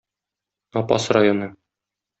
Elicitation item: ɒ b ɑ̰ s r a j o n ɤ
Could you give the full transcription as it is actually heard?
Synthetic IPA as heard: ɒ p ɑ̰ s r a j o n ɤ